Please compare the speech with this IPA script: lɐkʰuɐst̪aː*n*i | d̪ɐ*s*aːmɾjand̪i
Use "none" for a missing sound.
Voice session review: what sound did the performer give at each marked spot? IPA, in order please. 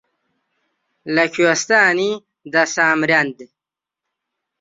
n, s

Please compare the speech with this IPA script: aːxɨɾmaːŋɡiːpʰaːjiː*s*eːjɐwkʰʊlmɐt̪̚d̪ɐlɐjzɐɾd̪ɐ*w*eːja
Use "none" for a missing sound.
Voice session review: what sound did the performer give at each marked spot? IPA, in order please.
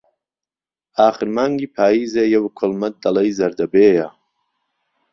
z, b

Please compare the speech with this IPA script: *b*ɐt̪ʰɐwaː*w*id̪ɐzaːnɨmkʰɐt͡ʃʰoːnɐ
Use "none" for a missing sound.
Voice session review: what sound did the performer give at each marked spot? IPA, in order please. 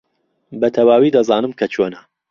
b, w

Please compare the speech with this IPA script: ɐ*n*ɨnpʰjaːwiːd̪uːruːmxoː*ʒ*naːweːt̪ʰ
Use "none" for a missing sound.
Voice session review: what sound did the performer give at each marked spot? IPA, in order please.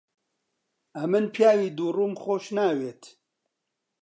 m, ʃ

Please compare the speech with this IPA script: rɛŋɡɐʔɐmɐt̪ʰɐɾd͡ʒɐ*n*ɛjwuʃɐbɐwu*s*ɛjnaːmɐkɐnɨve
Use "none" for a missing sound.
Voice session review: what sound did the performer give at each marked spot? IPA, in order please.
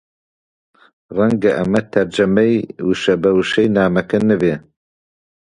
m, ʃ

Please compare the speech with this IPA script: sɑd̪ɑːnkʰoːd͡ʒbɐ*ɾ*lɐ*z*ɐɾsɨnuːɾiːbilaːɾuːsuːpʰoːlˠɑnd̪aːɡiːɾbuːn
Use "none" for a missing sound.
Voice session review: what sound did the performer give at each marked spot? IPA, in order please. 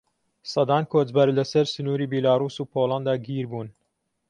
ɾ, s

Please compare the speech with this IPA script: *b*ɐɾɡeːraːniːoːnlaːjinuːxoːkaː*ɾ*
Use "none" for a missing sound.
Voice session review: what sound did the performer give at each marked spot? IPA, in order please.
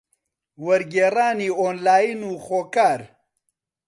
w, ɾ

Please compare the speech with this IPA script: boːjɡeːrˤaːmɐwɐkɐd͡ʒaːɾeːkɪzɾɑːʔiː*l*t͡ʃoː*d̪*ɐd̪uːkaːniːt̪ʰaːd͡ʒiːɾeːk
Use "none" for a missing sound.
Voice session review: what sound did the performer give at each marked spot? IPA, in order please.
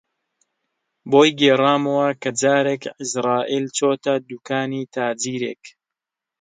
l, t̪

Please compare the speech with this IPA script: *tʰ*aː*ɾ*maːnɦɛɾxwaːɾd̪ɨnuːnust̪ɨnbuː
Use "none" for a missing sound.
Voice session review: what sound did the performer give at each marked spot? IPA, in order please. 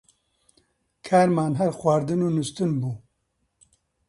kʰ, ɾ

